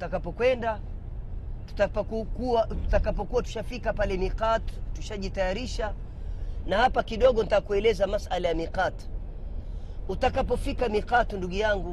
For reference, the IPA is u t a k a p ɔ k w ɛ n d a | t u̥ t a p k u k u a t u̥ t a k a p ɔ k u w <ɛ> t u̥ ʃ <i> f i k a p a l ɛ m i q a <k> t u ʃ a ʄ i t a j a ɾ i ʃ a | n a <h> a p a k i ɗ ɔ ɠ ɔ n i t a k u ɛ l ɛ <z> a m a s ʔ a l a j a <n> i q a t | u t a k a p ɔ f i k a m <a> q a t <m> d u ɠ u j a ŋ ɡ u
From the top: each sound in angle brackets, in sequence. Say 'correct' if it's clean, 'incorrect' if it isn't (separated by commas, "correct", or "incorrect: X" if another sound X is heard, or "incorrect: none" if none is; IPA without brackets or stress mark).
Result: incorrect: a, incorrect: a, incorrect: t, correct, correct, incorrect: m, incorrect: i, incorrect: n